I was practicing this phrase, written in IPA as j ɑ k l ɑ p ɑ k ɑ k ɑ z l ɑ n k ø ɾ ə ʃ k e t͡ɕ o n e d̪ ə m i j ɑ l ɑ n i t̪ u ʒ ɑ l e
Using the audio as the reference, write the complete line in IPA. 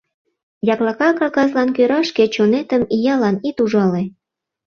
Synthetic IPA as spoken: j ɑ k l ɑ k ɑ k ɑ k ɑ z l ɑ n k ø ɾ ɑ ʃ k e t͡ɕ o n e t̪ ə m i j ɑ l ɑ n i t̪ u ʒ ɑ l e

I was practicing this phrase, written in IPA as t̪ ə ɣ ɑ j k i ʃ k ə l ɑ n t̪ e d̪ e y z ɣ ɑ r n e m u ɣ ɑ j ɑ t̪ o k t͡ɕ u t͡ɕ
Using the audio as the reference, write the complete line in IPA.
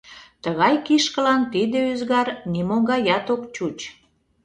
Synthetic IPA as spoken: t̪ ə ɣ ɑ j k i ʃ k ə l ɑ n t̪ i d̪ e y z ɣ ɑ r n i m o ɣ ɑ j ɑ t̪ o k t͡ɕ u t͡ɕ

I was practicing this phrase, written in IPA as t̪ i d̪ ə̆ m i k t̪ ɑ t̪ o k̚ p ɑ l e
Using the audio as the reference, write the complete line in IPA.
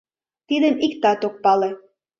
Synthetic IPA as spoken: t̪ i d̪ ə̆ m i k t̪ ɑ t̪ o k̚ p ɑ l e

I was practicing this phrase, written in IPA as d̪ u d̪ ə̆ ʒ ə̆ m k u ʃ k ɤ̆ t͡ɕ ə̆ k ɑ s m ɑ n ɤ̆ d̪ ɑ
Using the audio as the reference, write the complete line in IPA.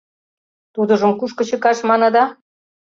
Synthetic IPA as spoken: t̪ u d̪ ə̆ ʒ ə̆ m k u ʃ k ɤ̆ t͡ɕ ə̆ k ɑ ʃ m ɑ n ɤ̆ d̪ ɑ

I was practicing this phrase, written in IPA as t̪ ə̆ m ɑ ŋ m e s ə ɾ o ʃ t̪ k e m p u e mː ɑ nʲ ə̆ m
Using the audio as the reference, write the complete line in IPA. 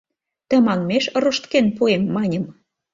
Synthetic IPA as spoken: t̪ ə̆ m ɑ ŋ m e ʃ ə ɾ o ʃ t̪ k e n p u e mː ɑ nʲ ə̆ m

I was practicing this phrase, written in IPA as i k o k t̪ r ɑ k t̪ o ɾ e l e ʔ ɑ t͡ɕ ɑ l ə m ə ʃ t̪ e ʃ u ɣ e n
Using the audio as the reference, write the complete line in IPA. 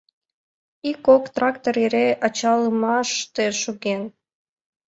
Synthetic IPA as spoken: i k o k t̪ r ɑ k t̪ o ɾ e ɾ e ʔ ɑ t͡ɕ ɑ l ə m ɑ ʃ t̪ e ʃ u ɣ e n

